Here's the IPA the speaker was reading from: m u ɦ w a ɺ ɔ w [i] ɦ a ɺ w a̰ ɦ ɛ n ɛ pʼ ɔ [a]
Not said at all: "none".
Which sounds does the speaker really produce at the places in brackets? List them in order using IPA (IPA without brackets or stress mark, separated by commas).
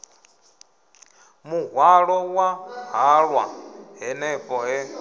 a, ɛ